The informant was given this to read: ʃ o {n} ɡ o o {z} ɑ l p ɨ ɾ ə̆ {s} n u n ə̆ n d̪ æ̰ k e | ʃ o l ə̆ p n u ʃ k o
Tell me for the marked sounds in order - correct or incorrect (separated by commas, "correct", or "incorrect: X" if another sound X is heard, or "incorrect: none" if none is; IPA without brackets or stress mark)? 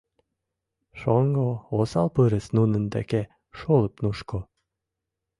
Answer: incorrect: ŋ, incorrect: s, correct